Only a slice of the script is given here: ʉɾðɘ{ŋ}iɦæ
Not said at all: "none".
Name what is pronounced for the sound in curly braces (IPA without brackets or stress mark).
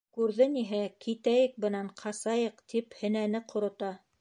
n